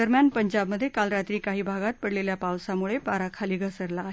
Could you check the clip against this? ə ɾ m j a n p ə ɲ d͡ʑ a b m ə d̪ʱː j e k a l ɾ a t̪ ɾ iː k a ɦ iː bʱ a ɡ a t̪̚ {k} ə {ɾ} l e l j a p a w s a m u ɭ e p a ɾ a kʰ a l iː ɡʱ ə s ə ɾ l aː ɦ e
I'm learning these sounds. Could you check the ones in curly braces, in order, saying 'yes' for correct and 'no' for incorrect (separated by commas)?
no, no